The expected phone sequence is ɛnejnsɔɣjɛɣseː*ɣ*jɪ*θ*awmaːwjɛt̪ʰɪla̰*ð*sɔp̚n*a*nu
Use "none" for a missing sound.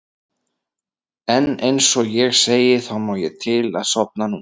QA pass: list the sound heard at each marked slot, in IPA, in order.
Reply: none, θ, ð, a

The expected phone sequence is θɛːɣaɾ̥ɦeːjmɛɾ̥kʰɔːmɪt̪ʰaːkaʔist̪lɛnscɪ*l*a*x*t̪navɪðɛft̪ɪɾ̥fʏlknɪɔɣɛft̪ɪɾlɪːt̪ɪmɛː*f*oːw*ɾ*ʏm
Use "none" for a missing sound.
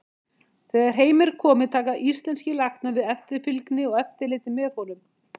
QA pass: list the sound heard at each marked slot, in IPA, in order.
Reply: l, x, f, l

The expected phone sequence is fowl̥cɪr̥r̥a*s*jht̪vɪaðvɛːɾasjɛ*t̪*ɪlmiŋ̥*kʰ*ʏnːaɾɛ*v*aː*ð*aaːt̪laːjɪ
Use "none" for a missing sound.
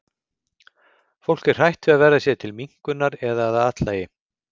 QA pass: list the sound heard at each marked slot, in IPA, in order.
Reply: none, t̪ʰ, k, ð, ð

